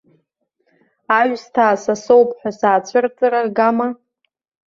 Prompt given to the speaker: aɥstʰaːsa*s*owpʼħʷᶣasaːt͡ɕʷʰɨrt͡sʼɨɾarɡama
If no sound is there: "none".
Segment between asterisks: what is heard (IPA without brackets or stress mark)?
s